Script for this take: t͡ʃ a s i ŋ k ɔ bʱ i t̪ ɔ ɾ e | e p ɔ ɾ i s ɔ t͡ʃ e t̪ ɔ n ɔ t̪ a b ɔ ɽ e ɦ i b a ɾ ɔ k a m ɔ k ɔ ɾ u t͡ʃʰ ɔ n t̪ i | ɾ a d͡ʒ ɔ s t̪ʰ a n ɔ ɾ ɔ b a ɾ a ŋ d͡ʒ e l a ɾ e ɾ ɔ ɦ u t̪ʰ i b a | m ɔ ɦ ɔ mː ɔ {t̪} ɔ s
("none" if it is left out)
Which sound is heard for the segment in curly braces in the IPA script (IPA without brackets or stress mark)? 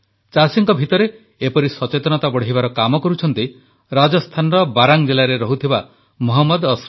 d̪